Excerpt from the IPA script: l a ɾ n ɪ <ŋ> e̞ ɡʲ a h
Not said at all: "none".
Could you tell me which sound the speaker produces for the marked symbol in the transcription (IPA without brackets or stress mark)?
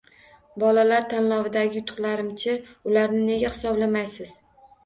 n